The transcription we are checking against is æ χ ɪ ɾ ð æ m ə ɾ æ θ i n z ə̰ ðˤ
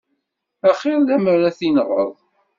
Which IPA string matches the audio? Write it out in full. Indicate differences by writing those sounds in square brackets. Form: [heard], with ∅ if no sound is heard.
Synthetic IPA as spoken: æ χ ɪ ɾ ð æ m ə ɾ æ θ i n [ʁ] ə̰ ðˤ